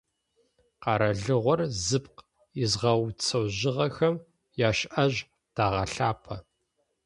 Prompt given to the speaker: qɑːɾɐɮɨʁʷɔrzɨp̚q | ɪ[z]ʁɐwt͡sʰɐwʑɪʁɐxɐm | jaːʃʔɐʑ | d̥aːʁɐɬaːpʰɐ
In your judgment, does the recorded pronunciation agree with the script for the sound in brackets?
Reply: yes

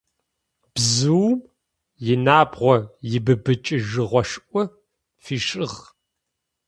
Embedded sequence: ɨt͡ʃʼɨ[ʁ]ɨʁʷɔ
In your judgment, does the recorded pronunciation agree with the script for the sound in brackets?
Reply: no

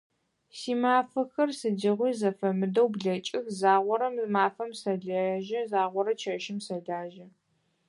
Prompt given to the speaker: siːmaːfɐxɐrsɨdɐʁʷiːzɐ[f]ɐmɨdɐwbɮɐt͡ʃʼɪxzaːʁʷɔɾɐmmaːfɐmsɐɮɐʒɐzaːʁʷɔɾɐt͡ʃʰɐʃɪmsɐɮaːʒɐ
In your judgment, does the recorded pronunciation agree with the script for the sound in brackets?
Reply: yes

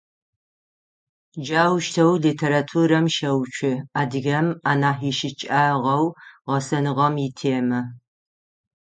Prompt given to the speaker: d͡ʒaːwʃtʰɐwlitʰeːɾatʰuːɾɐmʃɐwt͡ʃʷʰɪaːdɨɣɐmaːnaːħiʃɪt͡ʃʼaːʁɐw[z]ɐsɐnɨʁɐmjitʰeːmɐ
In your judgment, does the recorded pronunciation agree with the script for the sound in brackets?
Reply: no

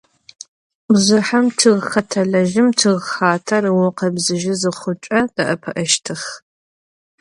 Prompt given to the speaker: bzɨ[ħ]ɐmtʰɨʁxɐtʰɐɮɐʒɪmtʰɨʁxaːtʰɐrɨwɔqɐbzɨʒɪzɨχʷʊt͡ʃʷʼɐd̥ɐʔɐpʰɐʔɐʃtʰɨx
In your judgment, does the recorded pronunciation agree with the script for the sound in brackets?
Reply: yes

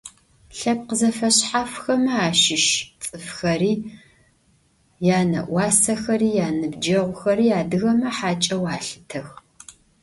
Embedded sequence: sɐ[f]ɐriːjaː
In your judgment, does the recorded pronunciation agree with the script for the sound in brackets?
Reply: no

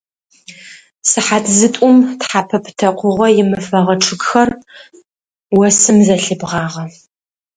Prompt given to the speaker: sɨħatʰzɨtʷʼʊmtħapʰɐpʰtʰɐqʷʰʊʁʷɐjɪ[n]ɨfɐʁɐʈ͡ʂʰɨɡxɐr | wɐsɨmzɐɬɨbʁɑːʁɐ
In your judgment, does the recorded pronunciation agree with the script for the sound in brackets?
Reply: no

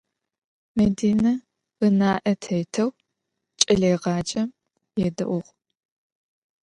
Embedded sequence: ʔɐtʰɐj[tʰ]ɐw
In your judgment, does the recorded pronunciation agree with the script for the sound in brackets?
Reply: yes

